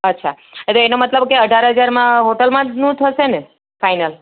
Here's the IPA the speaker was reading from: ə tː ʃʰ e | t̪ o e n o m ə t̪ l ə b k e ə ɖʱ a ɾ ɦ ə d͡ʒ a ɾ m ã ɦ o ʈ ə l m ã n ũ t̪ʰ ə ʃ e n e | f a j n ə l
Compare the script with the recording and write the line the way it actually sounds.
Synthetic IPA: ə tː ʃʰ a | t̪ o e n o m ə t̪ l ə b k e ə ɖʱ a ɾ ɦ ə d͡ʒ a ɾ m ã ɦ o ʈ ə l m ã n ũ t̪ʰ ə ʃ e n e | f a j n ə l